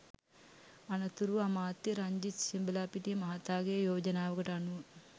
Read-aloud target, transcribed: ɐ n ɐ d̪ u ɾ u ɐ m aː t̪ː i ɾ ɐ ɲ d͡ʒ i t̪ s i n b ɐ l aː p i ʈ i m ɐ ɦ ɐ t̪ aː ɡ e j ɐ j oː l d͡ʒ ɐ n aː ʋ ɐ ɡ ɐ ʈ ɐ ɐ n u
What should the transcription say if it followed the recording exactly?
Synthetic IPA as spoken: ɐ n ɐ t̪ u ɾ u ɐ m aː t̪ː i ɾ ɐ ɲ d͡ʒ i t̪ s i m b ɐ l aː p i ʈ i m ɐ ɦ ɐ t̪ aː ɡ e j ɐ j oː d͡ʒ ɐ n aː ʋ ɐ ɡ ɐ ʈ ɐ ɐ n u